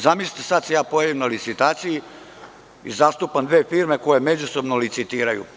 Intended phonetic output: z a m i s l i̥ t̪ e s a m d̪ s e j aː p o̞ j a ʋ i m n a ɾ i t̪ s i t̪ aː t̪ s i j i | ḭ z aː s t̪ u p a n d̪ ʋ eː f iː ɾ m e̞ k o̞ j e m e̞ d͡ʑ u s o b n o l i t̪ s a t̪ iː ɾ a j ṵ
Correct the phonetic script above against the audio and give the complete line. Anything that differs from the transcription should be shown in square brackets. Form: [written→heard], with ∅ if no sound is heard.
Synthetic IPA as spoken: z a m i s l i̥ t̪ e s a [m→∅] d̪ s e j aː p o̞ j a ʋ i m n a [ɾ→l] i t̪ s i t̪ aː t̪ s i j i | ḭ z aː s t̪ u p a n d̪ ʋ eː f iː ɾ m e̞ k o̞ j e m e̞ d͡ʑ u s o b n o l i t̪ s [a→i] t̪ iː ɾ a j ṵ